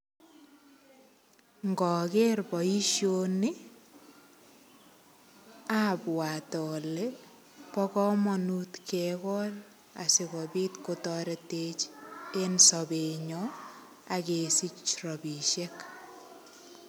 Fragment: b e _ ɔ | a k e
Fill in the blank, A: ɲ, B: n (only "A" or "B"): A